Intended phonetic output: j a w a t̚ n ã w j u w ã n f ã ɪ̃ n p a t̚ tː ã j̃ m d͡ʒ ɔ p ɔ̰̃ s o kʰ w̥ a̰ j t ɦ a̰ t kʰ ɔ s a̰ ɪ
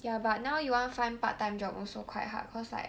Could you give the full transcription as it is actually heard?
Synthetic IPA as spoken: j a b a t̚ n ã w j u w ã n f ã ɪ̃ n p a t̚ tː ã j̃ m d͡ʒ ɔ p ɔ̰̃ s o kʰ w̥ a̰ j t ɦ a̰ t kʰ ɔ s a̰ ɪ

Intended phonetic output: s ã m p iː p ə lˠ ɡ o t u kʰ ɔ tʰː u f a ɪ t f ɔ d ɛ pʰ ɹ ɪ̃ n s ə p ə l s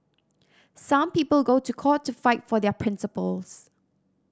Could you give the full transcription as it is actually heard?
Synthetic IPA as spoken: s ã m p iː p ə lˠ ɡ o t u kʰ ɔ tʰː u f a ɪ t f ɔ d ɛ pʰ ɹ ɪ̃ n s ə p ə l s

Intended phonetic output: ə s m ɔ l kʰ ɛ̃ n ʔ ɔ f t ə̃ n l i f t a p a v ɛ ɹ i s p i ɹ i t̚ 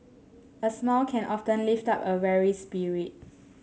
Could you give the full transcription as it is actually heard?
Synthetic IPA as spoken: ə s m ɔ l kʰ ɛ̃ n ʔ ɔ f t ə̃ n l i f t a p ə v ɛ ɹ i s p i ɹ i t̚

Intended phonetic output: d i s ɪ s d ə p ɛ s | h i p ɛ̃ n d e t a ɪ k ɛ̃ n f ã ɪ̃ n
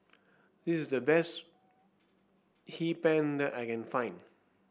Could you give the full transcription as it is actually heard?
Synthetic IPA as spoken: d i s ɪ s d ə b ɛ s | h i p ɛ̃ n d ɛ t a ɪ k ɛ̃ n f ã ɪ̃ n

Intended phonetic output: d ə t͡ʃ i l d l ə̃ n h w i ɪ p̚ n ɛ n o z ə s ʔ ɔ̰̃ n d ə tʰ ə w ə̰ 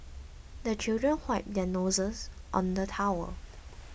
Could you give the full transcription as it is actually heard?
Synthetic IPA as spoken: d ə t͡ʃ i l d ɹ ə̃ n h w a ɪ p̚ d ɛ n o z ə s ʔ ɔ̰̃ n d ə tʰ a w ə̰

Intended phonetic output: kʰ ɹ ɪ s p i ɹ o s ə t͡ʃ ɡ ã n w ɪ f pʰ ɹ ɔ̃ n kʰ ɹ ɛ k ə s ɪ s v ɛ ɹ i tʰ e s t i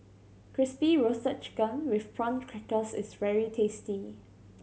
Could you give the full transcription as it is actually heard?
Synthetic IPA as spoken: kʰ ɹ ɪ s p i ɹ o s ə t͡ʃ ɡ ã n w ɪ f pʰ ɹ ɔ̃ n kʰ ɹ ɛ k ə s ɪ s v ɛ ɹ i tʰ e s t i

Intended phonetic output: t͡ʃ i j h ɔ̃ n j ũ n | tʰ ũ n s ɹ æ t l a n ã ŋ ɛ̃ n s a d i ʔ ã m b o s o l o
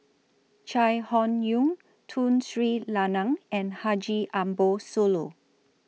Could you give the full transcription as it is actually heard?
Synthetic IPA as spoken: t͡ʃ a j h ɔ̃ n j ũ ŋ | tʰ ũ n s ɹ i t l a n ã ŋ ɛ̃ n h a d͡ʒ i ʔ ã m b o s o l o

